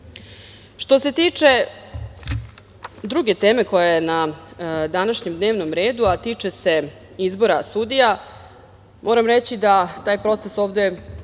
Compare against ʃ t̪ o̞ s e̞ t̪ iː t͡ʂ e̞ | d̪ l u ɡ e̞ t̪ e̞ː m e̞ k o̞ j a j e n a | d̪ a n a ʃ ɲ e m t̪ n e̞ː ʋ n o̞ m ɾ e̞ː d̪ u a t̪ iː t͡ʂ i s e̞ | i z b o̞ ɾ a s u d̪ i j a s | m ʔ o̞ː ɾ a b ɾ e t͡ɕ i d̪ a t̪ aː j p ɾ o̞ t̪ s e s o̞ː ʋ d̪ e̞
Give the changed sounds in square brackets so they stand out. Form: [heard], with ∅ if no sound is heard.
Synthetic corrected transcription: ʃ t̪ o̞ s e̞ t̪ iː t͡ʂ e̞ | d̪ [ɾ] u ɡ e̞ t̪ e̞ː m e̞ k o̞ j a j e n a | d̪ a n a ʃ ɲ e m [d̪] n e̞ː ʋ n o̞ m ɾ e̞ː d̪ u a t̪ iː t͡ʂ [e] s e̞ | i z b o̞ ɾ a s u d̪ i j a [∅] | m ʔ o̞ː ɾ a [m] ɾ e t͡ɕ i d̪ a t̪ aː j p ɾ o̞ t̪ s e s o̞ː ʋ d̪ e̞